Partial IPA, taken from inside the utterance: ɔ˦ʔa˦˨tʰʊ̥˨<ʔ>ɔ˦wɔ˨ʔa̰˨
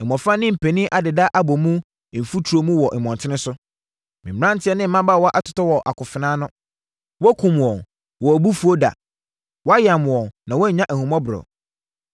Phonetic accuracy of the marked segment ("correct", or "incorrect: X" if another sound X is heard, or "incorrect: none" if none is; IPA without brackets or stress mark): incorrect: t